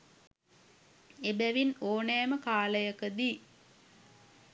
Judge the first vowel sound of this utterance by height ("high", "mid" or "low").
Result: mid